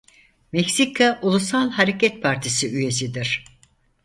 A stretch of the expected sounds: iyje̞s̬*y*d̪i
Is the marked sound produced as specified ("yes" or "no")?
no